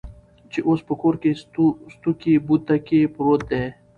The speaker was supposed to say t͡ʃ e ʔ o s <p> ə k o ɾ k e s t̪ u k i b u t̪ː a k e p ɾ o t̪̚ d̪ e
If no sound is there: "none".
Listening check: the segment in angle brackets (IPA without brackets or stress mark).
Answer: p